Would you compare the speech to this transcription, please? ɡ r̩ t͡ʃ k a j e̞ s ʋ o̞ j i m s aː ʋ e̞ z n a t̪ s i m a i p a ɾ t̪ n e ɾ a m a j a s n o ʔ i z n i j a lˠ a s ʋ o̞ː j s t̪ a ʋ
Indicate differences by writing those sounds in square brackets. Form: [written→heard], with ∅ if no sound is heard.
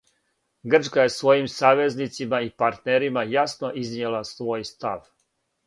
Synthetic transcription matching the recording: ɡ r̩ t͡ʃ k a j e̞ s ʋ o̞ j i m s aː ʋ e̞ z n [a→i] t̪ s i m a i p a ɾ t̪ n e ɾ [a→i] m a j a s n o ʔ i z n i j [a→e] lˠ a s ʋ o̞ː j s t̪ a ʋ